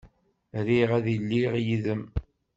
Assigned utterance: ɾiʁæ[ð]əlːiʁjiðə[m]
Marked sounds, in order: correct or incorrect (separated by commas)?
correct, correct